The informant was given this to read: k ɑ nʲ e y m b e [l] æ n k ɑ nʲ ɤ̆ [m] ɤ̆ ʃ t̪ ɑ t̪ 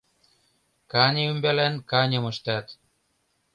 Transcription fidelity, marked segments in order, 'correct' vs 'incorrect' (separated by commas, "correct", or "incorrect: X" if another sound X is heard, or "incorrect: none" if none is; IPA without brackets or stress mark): correct, correct